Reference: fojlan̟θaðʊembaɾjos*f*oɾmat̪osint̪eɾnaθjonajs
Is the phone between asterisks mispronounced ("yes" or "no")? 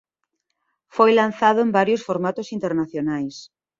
no